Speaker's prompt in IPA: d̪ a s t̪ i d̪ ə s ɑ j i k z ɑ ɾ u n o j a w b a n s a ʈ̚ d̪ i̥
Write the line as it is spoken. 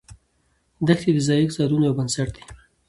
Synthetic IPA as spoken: d̪ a x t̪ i d̪ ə z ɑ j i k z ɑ ɾ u n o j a w b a n s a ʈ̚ d̪ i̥